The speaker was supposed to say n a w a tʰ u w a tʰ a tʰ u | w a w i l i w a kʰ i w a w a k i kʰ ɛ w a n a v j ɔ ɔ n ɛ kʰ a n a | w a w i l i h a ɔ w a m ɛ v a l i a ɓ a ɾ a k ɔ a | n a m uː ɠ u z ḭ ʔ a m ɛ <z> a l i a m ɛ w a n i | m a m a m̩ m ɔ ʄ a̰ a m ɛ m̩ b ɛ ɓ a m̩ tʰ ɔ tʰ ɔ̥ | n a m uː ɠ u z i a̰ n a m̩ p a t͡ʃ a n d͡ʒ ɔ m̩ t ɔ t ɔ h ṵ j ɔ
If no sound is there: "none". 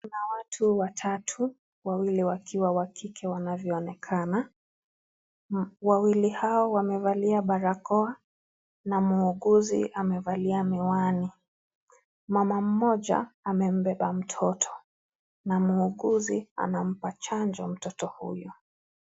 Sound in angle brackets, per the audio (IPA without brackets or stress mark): v